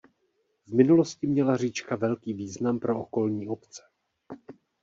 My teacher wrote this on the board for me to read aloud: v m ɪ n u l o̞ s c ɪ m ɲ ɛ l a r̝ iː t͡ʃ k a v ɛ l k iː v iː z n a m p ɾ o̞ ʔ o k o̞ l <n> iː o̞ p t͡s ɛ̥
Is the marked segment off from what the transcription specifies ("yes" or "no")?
yes